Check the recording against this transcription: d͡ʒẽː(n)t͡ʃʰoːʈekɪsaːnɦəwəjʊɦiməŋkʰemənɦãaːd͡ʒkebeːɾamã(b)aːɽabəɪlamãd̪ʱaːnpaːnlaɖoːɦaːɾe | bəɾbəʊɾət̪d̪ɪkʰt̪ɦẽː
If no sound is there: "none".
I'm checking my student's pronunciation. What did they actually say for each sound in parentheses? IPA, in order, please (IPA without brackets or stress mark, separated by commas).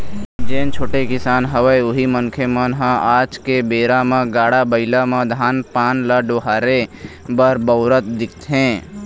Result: n, ɡ